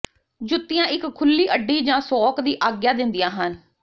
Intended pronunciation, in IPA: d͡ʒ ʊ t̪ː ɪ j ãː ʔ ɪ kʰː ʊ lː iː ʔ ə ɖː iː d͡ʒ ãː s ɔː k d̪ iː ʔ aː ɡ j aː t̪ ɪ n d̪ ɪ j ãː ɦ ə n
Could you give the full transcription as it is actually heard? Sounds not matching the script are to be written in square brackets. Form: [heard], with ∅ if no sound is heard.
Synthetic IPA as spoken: d͡ʒ ʊ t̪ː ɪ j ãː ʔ ɪ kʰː ʊ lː iː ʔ ə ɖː iː d͡ʒ ãː s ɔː k d̪ iː ʔ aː ɡ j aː [d̪] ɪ n d̪ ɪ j ãː ɦ ə n